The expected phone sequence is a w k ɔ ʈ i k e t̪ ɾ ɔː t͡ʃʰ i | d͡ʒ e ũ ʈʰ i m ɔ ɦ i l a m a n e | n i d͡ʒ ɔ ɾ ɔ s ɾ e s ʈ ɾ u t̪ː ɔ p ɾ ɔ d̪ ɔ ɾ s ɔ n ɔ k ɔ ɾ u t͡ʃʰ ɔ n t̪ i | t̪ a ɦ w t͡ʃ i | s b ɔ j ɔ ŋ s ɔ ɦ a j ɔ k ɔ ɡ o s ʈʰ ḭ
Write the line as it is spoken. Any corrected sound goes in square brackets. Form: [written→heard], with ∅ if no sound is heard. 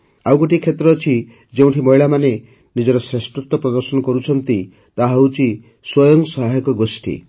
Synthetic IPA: a w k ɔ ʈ i [k→kʰ] e t̪ ɾ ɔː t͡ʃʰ i | d͡ʒ e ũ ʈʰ i m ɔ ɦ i [l→ɭ] a m a n e | n i d͡ʒ ɔ ɾ ɔ s ɾ e s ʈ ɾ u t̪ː ɔ p ɾ ɔ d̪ ɔ ɾ s ɔ n ɔ k ɔ ɾ u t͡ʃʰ ɔ n t̪ i | t̪ a ɦ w t͡ʃ i | s [b→w] ɔ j ɔ ŋ s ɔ ɦ a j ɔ k ɔ ɡ o s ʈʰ ḭ